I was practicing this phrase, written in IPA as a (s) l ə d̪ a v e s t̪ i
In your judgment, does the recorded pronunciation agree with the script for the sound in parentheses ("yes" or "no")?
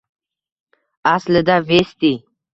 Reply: yes